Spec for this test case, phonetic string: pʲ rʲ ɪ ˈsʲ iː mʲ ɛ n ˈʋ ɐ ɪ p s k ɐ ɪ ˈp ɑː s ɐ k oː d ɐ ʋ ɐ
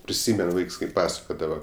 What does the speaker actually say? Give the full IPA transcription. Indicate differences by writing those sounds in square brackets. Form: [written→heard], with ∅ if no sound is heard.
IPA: pʲ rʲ ɪ ˈsʲ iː mʲ ɛ n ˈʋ ɐ ɪ [p→k] s k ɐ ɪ ˈp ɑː s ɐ k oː d ɐ ʋ ɐ